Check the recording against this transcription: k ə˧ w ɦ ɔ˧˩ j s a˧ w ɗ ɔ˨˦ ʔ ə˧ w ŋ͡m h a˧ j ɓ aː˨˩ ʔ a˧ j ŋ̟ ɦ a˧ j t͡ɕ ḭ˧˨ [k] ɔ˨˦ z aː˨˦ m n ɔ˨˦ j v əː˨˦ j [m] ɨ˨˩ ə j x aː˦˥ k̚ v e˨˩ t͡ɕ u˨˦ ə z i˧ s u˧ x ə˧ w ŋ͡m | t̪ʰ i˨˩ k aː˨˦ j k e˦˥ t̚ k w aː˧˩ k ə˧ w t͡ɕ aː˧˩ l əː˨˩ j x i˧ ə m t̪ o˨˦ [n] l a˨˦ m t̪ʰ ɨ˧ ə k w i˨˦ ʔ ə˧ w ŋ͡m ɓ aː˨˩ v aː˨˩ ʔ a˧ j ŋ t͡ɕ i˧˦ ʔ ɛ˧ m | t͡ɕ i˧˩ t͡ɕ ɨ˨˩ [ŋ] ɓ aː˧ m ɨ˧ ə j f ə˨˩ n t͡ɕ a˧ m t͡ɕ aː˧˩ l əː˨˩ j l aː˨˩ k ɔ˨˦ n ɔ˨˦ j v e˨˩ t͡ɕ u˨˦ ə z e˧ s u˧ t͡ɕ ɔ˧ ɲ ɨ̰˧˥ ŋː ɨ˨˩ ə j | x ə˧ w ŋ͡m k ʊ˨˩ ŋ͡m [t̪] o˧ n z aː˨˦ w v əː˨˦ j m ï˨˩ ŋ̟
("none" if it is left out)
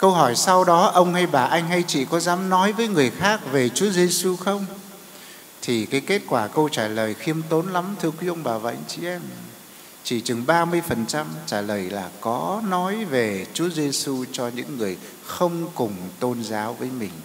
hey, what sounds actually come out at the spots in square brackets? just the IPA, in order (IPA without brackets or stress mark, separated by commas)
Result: k, ŋ, n, ŋ, t̪